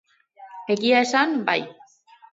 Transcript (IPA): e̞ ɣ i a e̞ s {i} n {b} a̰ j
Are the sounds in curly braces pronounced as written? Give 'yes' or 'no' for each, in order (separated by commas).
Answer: no, yes